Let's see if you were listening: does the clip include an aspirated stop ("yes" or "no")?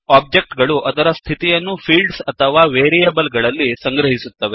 yes